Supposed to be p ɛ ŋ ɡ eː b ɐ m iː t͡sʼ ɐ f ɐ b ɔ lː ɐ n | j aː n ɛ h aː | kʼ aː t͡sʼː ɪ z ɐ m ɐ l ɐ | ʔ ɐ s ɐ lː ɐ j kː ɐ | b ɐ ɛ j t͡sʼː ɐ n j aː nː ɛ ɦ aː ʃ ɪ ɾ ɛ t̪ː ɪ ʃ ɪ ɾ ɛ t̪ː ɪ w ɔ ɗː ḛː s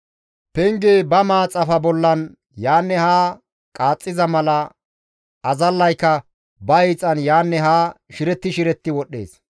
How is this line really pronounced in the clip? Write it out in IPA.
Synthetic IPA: p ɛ ŋ ɡ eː b ɐ m aː t͡sʼ ɐ f ɐ b ɔ lː ɐ n | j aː nː ɛ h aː | kʼ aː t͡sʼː ɪ z ɐ m ɐ l ɐ | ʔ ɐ z ɐ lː ɐ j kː ɐ | b ɐ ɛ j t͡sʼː ɐ n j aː nː ɛ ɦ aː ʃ ɪ ɾ ɛ t̪ː ɪ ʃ ɪ ɾ ɛ t̪ː ɪ w ɔ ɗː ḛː s